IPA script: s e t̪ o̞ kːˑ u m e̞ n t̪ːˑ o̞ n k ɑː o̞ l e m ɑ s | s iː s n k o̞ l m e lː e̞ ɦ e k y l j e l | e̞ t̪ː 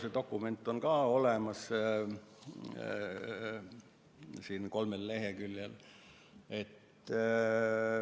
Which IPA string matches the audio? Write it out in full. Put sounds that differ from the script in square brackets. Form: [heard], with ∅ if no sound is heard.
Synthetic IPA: s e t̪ o̞ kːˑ u m e̞ n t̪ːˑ o̞ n k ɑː o̞ l e m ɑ s | s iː [∅] n k o̞ l m e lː e̞ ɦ e k y l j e l | e̞ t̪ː